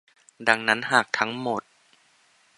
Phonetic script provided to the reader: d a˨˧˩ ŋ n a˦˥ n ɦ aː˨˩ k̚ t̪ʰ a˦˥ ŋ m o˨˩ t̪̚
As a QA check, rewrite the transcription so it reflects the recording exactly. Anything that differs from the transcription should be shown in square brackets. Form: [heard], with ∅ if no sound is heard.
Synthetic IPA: d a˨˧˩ ŋ n a˦˥ n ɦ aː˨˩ k̚ t̪ʰ a˦˥ ŋ m o˨˩ t̪̚